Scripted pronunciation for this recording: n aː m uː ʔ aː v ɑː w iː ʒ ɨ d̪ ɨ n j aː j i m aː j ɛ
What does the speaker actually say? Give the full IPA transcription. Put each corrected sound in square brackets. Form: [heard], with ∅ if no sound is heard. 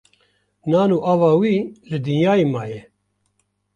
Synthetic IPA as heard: n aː [n] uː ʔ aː v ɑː w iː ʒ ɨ d̪ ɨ n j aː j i m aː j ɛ